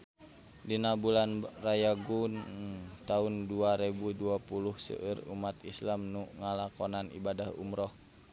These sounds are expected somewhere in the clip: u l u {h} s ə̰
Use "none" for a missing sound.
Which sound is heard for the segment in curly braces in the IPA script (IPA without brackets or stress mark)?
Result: h